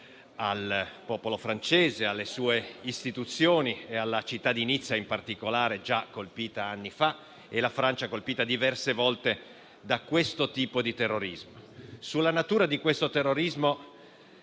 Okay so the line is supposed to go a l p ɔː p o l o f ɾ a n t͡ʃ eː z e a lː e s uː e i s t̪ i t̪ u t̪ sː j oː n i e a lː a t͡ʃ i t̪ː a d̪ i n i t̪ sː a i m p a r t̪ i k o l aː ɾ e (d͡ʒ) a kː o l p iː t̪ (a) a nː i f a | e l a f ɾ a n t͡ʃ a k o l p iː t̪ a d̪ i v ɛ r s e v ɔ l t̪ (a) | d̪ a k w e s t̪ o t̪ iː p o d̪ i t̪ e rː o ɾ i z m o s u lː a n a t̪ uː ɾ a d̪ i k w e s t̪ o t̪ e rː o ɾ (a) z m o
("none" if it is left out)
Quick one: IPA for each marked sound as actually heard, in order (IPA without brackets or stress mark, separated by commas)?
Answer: d͡ʒ, a, e, i